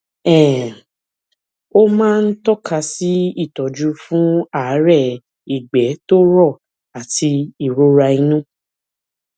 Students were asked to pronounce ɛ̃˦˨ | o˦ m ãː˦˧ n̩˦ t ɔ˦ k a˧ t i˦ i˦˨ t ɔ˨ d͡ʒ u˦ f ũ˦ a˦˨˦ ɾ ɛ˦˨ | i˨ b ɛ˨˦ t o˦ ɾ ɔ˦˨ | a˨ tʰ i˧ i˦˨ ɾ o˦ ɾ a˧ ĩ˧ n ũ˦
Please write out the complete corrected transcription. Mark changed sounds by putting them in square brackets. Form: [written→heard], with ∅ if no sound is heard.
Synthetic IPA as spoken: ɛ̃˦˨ | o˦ m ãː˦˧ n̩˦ t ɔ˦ k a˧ [t→s] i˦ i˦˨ t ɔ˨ d͡ʒ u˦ f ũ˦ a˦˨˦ ɾ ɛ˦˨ | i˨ [b→ɡ͡b] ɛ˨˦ t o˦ ɾ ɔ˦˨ | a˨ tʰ i˧ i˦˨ ɾ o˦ ɾ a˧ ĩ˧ n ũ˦